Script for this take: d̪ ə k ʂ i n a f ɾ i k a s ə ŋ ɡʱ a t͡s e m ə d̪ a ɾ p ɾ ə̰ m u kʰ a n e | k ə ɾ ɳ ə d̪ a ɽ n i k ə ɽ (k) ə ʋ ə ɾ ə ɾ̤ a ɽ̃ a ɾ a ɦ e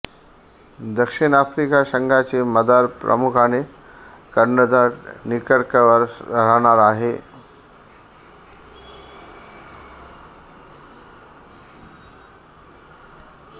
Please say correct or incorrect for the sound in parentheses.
correct